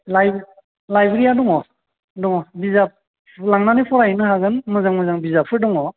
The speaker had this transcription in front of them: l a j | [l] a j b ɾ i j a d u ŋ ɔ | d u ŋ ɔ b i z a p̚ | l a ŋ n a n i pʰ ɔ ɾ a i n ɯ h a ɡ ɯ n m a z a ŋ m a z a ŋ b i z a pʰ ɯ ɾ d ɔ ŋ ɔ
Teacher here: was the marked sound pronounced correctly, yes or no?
yes